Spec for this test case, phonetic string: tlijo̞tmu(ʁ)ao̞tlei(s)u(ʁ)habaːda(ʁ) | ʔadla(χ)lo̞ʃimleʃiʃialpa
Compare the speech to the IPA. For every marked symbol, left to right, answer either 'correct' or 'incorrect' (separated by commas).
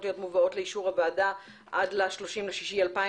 incorrect, incorrect, correct, incorrect, incorrect